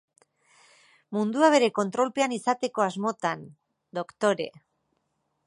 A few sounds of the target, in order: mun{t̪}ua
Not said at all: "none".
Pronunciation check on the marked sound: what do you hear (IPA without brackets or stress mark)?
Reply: d̪